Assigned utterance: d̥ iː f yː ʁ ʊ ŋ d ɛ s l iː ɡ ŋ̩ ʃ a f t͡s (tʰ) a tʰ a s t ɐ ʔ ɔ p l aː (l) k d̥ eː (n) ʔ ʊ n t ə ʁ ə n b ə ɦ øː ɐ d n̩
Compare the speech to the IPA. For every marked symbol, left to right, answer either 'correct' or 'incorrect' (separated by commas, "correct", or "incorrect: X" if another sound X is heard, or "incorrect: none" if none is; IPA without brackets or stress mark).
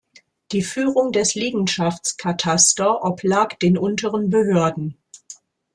incorrect: kʰ, incorrect: none, correct